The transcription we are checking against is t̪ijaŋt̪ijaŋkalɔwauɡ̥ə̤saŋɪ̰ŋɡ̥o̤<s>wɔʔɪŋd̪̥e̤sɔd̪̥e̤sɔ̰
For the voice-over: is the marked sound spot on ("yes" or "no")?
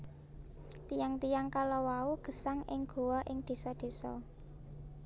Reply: no